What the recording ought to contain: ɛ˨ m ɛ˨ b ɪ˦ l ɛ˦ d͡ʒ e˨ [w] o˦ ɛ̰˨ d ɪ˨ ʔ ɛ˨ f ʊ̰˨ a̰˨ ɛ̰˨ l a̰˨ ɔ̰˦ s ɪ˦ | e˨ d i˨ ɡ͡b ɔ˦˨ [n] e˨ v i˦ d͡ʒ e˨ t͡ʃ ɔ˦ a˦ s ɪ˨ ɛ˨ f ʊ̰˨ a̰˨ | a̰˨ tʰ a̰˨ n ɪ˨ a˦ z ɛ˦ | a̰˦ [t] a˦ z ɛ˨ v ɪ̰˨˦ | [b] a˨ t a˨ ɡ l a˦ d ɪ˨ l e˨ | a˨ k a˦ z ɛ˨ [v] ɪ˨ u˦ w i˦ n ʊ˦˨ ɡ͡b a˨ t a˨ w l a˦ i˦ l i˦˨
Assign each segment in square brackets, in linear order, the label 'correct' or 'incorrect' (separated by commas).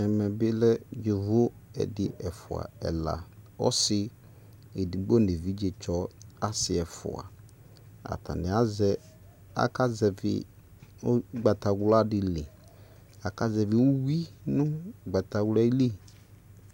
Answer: incorrect, correct, incorrect, incorrect, correct